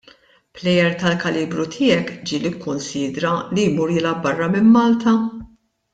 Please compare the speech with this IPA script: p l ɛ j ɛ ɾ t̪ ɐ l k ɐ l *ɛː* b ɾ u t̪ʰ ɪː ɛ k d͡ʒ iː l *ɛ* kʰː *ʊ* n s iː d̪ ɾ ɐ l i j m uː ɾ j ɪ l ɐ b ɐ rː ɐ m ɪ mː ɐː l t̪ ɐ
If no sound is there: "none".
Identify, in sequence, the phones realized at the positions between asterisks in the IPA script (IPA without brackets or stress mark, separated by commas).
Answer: iː, i, ʊ